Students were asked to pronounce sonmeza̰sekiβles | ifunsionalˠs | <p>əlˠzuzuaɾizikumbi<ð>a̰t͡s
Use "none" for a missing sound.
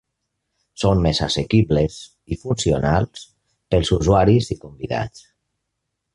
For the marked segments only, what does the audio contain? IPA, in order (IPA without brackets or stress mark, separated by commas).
p, ð